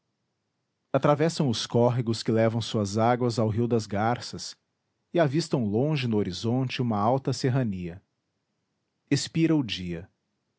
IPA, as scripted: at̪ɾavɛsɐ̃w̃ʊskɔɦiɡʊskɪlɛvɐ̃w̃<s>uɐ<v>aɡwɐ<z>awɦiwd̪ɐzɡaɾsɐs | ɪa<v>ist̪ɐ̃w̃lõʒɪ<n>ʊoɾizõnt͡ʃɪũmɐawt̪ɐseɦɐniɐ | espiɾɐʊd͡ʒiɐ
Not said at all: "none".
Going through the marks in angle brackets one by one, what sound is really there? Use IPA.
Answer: s, z, z, v, n

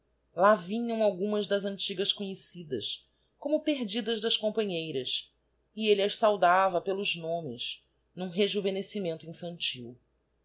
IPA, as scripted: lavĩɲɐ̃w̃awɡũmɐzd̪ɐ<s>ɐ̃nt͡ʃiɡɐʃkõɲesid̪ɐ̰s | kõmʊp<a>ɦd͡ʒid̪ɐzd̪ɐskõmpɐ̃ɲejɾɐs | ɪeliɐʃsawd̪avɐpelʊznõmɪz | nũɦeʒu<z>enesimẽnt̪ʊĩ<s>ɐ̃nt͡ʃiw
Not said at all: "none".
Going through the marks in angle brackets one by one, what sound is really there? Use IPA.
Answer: z, e, v, f

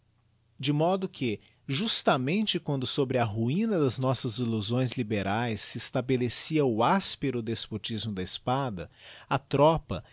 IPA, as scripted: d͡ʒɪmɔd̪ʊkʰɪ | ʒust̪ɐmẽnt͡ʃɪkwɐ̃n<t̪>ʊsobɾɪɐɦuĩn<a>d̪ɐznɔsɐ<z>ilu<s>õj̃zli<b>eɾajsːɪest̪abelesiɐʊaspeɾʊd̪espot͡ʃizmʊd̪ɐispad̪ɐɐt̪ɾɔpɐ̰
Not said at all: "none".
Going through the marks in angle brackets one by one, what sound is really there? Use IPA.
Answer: d̪, ɐ, z, z, b

